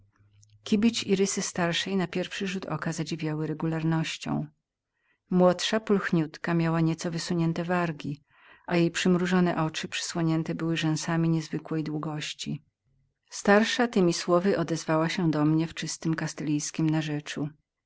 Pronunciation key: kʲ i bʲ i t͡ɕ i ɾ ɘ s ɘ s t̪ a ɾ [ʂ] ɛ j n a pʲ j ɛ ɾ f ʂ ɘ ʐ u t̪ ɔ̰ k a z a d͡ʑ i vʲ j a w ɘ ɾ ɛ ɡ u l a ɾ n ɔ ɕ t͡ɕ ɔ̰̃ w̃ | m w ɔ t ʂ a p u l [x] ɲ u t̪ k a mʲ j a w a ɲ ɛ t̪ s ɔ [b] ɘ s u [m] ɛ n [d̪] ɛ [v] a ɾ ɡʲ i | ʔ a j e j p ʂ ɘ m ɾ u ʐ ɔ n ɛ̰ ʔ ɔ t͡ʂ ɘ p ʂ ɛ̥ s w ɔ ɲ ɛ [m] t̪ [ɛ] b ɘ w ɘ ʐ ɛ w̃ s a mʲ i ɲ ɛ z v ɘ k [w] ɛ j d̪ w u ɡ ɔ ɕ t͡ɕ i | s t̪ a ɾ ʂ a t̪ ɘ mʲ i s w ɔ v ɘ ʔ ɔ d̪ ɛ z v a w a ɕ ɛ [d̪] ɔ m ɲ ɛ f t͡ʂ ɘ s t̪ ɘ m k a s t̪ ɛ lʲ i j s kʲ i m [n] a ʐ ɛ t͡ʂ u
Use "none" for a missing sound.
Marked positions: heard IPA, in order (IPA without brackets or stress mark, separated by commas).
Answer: ʂ, x, v, ɲ, t̪, v, n, ɛ, w, d̪, n